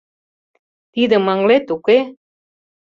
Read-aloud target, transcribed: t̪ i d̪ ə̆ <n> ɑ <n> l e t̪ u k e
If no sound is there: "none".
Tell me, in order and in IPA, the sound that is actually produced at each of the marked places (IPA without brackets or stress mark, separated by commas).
m, ŋ